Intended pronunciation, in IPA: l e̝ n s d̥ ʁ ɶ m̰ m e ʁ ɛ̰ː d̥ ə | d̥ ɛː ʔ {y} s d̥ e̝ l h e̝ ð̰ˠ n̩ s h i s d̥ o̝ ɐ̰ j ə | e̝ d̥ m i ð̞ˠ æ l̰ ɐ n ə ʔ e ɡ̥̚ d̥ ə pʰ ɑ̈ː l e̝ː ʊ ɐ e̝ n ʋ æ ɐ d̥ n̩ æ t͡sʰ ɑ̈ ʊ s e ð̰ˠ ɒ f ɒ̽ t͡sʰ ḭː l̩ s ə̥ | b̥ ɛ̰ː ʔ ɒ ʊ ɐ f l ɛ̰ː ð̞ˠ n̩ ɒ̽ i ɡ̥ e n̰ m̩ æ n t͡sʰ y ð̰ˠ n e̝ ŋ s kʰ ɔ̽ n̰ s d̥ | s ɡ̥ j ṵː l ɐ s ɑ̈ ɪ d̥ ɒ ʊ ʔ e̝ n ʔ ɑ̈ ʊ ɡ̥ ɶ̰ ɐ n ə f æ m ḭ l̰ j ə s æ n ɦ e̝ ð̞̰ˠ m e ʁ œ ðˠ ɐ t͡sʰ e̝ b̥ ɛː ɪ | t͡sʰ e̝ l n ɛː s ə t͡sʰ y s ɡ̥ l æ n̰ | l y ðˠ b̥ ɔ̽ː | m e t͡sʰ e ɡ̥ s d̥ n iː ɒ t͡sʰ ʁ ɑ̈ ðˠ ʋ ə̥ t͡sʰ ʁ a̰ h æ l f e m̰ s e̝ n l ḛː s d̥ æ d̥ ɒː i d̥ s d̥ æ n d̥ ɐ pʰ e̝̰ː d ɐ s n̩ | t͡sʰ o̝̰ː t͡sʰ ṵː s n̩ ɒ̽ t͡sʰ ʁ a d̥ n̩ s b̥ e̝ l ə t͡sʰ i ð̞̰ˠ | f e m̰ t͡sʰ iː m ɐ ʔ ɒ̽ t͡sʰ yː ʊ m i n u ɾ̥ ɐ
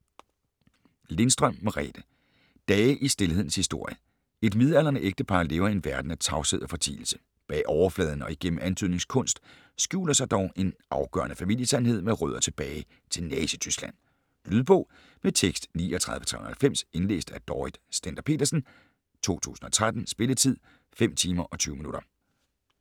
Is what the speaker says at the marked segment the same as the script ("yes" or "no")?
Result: no